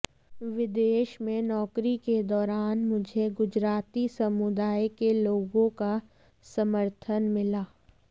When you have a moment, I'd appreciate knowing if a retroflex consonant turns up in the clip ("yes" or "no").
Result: no